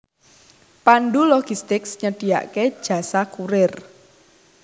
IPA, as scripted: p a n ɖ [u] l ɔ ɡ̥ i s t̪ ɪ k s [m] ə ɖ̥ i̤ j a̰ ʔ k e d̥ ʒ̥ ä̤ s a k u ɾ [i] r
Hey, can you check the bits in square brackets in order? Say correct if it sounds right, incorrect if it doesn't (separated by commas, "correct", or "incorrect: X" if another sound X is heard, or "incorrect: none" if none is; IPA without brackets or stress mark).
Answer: correct, incorrect: ɲ, incorrect: ɪ